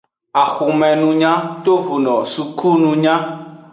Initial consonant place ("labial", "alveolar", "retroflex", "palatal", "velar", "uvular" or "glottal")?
velar